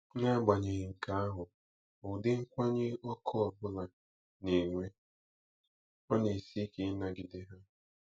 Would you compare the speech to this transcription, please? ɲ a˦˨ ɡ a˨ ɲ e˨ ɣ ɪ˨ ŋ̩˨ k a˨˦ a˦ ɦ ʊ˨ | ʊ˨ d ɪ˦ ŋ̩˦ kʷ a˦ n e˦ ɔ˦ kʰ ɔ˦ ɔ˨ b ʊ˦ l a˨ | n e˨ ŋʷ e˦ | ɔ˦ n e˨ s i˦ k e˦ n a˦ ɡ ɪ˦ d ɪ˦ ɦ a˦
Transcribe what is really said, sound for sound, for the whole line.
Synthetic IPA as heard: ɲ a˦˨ ɡ͡b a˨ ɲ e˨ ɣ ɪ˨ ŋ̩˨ k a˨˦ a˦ ɦ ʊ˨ | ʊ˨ d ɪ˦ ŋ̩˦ kʷ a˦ ɲ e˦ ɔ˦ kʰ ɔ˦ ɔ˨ b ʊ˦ l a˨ | n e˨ ŋʷ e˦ | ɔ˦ n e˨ s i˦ k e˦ n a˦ ɡ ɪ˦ d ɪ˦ ɦ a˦